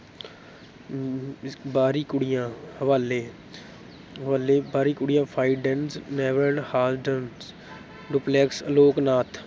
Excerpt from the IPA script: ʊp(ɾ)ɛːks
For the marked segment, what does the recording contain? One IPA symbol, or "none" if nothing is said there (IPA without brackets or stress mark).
l